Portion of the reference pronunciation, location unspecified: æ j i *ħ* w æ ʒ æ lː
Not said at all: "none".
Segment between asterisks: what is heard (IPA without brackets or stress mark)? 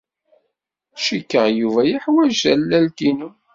ħ